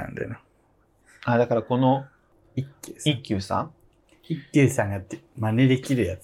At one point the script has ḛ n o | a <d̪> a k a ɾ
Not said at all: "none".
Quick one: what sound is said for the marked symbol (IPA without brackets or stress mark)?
d̪